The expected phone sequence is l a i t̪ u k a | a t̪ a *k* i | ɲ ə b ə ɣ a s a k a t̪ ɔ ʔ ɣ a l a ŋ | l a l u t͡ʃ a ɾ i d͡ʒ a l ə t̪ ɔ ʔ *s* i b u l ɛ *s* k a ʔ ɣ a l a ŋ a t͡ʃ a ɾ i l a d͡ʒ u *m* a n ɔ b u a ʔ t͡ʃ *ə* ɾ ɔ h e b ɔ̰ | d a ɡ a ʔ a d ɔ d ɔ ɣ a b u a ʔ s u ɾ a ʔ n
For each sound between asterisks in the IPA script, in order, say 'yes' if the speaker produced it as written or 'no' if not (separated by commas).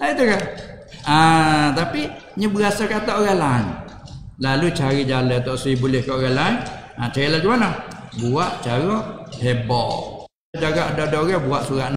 no, yes, no, yes, no